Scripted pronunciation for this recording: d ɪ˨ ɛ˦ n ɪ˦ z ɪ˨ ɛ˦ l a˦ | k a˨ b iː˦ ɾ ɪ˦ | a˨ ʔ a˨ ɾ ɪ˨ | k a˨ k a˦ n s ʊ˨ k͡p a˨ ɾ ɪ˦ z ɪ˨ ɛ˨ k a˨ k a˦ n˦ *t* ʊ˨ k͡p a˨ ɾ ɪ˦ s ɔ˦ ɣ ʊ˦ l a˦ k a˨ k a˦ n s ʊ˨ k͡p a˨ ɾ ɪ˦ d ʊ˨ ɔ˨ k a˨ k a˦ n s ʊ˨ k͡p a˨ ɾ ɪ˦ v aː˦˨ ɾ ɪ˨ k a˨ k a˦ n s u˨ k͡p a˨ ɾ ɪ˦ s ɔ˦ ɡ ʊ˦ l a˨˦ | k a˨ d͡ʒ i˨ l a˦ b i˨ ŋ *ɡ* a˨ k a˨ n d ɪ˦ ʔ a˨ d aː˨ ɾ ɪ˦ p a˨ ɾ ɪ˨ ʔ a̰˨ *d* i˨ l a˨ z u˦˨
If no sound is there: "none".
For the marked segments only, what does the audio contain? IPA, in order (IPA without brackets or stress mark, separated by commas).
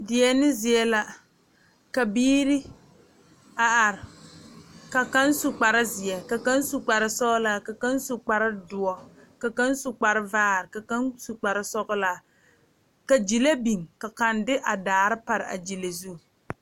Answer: s, k, d͡ʒ